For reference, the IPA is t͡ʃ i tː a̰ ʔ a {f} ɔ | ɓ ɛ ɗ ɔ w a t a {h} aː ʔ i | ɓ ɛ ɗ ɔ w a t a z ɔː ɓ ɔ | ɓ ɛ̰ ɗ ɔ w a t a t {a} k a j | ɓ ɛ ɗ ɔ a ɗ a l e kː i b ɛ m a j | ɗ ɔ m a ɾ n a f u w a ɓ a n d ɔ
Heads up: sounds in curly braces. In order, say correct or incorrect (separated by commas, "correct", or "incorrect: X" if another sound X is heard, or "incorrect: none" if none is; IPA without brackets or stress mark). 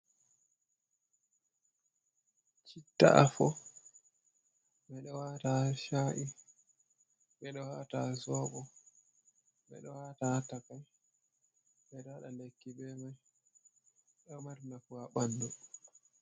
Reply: correct, incorrect: ʃ, correct